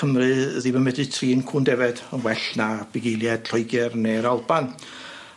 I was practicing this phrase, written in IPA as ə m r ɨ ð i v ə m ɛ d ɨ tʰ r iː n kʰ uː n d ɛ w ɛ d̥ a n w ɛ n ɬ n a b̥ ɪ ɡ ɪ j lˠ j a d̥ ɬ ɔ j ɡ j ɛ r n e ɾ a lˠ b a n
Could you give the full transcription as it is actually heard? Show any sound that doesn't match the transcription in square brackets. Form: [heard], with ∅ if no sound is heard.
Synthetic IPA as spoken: ə m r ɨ ð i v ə m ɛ d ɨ tʰ r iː n kʰ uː n d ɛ [v] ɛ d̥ [ə] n w ɛ [∅] ɬ n a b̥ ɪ ɡ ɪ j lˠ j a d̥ ɬ ɔ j ɡ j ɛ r n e ɾ a lˠ b a n